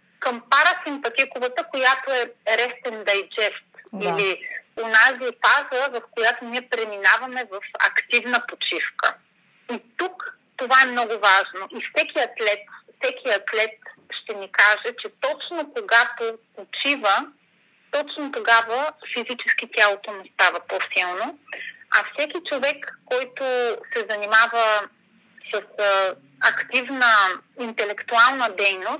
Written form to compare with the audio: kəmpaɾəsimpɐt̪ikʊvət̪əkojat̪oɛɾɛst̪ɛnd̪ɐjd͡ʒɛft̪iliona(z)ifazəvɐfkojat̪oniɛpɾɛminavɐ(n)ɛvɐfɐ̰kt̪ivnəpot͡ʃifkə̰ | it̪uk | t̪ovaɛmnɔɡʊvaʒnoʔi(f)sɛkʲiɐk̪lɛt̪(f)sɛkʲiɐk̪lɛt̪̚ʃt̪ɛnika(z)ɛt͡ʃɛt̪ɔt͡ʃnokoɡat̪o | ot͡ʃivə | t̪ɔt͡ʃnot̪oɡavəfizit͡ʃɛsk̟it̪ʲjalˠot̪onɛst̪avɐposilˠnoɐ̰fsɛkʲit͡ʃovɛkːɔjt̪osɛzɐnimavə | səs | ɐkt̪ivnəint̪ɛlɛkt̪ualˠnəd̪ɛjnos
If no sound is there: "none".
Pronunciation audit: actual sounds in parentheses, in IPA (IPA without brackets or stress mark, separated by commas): z, m, f, f, ʒ